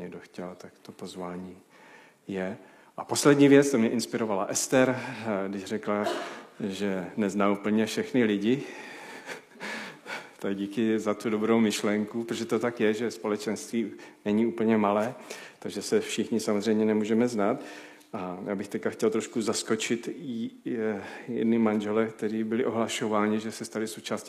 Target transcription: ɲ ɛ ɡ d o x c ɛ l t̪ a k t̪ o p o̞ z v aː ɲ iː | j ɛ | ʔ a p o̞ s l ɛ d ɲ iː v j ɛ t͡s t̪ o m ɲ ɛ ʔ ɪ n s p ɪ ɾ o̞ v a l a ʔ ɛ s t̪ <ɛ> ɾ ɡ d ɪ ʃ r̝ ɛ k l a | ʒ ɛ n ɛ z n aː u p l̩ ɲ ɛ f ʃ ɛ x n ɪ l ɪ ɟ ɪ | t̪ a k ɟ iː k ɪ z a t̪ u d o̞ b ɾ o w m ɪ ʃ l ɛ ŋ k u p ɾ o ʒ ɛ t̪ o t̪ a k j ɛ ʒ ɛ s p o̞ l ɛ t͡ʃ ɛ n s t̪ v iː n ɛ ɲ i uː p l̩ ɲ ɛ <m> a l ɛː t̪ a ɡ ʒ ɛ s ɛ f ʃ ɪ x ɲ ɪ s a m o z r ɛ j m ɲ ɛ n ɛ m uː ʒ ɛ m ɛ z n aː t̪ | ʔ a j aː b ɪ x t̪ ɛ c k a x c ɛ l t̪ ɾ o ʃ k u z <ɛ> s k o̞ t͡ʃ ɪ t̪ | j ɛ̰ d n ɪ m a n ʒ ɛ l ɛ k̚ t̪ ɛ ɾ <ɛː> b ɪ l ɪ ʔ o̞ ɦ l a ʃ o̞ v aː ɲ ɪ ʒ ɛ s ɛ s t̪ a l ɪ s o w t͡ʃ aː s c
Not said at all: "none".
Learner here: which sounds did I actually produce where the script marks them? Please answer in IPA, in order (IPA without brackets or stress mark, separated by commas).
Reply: ɛ, m, a, iː